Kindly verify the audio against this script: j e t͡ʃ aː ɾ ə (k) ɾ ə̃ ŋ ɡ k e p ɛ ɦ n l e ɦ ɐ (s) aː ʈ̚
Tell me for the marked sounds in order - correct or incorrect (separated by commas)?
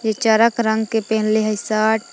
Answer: correct, correct